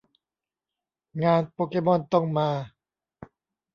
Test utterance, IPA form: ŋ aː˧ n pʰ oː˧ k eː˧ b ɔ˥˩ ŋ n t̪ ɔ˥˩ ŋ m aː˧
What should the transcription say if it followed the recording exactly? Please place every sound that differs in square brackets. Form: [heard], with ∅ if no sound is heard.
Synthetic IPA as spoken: ŋ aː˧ n [p] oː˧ k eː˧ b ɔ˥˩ [∅] n t̪ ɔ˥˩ ŋ m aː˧